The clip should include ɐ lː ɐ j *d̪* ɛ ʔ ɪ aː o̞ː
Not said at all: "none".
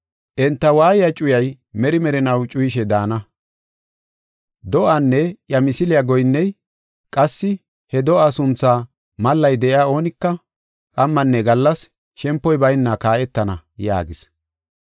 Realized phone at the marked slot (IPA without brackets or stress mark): d̪